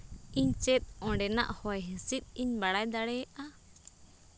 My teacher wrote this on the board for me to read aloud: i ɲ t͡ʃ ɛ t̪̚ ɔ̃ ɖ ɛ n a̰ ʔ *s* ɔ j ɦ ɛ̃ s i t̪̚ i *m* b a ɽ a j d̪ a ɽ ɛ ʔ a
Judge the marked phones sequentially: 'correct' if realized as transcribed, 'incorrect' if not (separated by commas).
incorrect, incorrect